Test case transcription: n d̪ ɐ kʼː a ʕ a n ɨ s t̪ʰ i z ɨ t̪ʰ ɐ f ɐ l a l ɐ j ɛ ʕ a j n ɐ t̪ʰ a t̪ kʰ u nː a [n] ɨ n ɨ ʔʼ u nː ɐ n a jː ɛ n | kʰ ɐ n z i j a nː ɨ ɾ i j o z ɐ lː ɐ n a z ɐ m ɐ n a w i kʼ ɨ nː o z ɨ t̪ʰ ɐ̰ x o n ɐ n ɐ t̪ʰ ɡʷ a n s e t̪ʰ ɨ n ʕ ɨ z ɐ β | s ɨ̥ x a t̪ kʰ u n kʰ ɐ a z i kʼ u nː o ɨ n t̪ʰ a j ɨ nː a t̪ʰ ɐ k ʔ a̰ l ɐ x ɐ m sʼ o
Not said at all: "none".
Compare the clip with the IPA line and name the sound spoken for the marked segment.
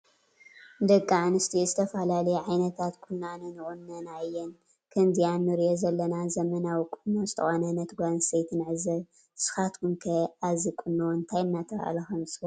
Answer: n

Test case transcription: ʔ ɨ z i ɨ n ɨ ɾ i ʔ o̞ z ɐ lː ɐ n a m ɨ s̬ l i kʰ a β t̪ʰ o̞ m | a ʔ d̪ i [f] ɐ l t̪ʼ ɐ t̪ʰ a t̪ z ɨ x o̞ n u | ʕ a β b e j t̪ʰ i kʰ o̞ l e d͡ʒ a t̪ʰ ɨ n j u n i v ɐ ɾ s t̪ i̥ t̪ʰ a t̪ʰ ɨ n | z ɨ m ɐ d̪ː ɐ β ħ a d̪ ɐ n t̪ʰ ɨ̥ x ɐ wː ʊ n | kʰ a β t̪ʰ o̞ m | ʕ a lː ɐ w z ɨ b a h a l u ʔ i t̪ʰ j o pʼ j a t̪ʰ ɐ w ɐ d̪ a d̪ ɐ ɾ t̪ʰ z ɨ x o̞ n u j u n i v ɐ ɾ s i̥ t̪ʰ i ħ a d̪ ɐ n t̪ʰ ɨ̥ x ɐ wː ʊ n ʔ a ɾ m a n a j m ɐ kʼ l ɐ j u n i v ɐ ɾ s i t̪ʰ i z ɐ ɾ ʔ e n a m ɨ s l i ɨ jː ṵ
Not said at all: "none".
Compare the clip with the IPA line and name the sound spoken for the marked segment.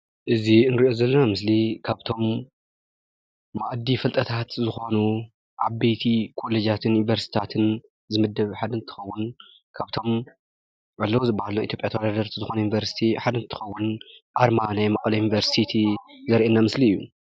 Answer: f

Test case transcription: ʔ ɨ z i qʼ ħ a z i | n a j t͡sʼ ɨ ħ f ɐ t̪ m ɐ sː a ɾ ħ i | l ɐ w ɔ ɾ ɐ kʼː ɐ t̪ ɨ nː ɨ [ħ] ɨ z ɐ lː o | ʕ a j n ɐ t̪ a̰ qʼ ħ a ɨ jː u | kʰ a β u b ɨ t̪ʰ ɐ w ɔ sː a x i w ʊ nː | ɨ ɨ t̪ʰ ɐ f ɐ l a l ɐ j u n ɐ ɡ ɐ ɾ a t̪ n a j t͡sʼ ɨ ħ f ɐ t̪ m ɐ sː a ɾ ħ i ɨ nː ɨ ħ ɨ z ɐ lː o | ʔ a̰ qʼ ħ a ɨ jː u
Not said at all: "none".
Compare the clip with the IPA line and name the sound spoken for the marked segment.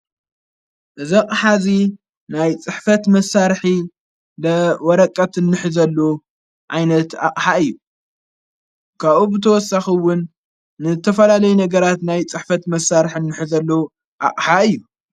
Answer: ħ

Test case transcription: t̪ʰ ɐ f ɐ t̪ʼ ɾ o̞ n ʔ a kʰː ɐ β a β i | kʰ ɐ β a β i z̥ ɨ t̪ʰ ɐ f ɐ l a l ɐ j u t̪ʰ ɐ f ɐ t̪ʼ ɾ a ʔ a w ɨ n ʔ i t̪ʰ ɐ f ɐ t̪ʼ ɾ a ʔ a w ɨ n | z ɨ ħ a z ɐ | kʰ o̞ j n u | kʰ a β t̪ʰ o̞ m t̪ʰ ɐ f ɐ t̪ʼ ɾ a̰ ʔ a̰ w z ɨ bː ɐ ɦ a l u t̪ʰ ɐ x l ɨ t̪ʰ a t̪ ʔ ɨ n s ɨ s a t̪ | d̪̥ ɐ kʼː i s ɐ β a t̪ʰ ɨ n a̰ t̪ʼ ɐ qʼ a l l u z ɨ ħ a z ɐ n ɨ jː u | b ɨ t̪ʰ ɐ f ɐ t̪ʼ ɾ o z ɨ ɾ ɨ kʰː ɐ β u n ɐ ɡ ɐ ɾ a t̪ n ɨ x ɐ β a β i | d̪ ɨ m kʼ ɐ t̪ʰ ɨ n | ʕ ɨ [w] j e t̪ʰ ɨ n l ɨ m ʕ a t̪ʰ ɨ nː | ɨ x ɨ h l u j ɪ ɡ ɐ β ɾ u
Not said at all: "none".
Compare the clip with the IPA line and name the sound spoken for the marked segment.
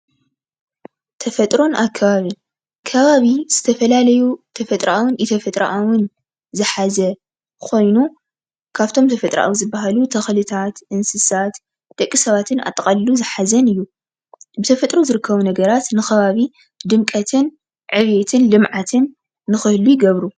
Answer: β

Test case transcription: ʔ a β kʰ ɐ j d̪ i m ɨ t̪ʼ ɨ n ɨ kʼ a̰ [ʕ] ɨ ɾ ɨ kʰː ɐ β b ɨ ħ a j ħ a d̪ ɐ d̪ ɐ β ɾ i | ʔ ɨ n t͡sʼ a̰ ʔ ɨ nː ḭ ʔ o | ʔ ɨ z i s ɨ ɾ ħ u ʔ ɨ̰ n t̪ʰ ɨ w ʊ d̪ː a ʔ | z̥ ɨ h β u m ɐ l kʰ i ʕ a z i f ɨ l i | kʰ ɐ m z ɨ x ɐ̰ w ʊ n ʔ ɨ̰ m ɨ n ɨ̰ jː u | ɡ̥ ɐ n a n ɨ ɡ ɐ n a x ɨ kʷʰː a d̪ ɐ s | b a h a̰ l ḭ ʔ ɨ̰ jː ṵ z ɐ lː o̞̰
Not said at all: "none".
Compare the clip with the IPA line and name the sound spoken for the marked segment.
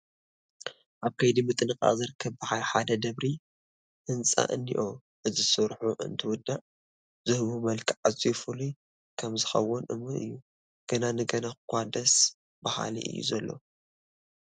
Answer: z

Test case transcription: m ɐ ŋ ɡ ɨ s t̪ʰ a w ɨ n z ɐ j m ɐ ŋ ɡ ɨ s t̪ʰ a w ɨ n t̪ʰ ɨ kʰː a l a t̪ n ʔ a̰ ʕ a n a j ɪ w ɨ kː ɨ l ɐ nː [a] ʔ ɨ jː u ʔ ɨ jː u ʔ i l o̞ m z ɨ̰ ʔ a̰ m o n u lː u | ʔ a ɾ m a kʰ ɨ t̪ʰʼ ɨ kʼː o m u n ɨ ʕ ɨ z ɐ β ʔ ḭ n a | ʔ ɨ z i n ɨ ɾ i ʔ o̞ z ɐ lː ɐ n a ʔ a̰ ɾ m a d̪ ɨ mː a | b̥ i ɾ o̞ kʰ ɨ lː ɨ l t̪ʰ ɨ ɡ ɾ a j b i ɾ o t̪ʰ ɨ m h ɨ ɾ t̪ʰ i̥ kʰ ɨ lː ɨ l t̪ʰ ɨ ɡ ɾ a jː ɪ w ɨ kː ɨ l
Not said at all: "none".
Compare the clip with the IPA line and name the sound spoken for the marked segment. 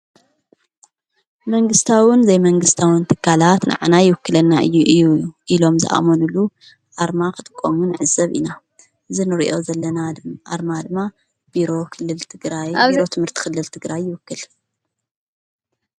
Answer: a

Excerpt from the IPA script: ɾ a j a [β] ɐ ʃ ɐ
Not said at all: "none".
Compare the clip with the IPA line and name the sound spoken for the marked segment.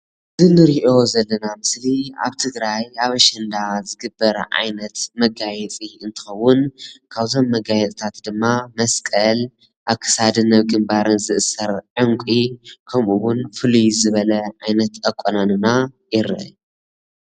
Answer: β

